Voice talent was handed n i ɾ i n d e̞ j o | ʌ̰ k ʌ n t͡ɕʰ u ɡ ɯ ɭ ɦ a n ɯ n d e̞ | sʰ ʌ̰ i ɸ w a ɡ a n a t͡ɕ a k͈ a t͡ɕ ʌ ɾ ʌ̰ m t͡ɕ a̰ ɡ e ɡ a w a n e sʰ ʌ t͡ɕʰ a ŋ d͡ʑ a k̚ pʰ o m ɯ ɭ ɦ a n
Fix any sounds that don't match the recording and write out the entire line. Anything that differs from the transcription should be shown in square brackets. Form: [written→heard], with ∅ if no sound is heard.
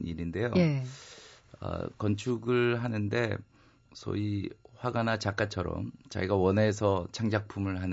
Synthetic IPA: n i ɾ i n d e̞ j o | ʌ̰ k ʌ n t͡ɕʰ u ɡ ɯ ɭ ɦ a n ɯ n d e̞ | sʰ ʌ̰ i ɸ w a ɡ a n a t͡ɕ a k͈ a [t͡ɕ→t͡ɕʰ] ʌ ɾ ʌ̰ m t͡ɕ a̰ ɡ [e→i] ɡ a w [a→ʌ] n e sʰ ʌ t͡ɕʰ a ŋ d͡ʑ a k̚ pʰ [o→u] m ɯ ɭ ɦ a n